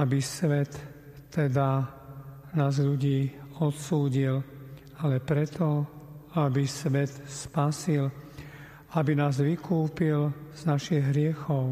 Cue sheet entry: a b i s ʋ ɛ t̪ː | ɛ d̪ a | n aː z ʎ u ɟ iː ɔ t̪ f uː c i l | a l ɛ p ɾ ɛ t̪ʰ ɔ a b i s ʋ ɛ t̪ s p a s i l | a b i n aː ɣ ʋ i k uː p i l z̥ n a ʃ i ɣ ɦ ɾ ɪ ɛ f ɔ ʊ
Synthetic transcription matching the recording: a b i s ʋ ɛ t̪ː | ɛ d̪ a | n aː z ʎ u ɟ iː ɔ t̪ s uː ɟ i l | a l ɛ p ɾ ɛ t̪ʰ ɔ a b i s ʋ ɛ t̪ s p a s i l | a b i n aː z ʋ i k uː p i l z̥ n a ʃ i ɣ ɦ ɾ ɪ ɛ x ɔ ʊ